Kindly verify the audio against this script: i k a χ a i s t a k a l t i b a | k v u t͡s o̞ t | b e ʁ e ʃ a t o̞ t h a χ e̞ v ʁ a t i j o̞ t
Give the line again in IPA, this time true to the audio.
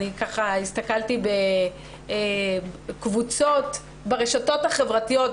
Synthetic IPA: i k a χ a i s t a k a l t i b e | k v u t͡s o̞ t | b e ʁ e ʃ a t o̞ t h a χ e̞ v ʁ a t i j o̞ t